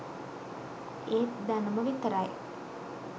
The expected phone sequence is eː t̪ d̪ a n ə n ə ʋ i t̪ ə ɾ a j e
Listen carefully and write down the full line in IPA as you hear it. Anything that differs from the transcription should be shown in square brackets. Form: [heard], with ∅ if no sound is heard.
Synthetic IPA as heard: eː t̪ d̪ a n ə [m] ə ʋ i t̪ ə ɾ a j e